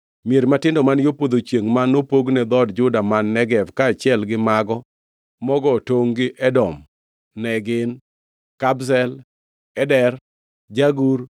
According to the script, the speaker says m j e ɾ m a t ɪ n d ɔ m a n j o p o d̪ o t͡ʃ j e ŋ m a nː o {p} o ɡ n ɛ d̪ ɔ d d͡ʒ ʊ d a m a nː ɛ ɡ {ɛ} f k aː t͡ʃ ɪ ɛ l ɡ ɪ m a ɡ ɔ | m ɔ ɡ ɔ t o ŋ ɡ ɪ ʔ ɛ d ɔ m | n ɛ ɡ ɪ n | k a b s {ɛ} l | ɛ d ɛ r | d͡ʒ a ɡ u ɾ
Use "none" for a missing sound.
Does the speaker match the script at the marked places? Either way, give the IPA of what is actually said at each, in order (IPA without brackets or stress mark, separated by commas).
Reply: p, ɛ, ɛ